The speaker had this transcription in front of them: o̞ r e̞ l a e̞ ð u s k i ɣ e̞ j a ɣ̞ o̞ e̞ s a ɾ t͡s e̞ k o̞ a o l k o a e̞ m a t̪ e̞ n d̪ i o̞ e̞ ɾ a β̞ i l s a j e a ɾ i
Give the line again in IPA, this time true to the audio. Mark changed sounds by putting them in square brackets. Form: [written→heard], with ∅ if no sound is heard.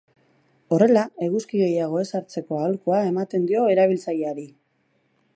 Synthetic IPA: o̞ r e̞ l a e̞ [ð→ɣ] u s k i ɣ e̞ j a ɣ̞ o̞ e̞ s a ɾ t͡s e̞ k o̞ a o l k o a e̞ m a t̪ e̞ n d̪ i o̞ e̞ ɾ a β̞ i l [s→t͡s] a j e a ɾ i